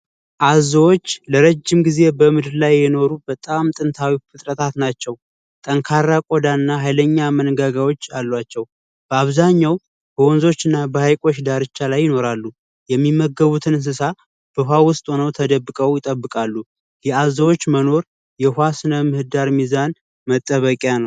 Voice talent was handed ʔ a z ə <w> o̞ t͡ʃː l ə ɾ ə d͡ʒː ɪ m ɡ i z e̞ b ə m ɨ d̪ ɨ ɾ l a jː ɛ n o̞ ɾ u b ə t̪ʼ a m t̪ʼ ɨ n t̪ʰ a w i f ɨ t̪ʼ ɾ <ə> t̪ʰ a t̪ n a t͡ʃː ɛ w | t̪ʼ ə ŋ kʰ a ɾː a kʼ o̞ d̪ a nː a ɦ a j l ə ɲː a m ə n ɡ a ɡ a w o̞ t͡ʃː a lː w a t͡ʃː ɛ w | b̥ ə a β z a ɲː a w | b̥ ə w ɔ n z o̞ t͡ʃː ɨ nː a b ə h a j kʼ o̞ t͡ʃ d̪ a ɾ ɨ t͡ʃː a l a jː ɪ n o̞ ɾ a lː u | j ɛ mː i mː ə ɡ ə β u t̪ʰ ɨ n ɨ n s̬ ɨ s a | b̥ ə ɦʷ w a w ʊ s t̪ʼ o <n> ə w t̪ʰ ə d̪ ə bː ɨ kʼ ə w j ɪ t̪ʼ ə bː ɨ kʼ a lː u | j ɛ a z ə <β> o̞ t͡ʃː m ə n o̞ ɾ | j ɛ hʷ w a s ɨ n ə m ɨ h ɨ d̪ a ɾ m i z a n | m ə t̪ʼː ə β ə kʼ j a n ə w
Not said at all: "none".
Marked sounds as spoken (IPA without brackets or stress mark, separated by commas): w, ə, n, w